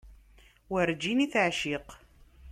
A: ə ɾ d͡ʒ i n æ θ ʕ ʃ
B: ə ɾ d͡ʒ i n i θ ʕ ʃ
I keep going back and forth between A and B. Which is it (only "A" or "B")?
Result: B